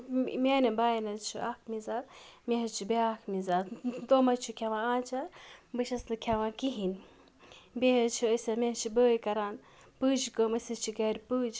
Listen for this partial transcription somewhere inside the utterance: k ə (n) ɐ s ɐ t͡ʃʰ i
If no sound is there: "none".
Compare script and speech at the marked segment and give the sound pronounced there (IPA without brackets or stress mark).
m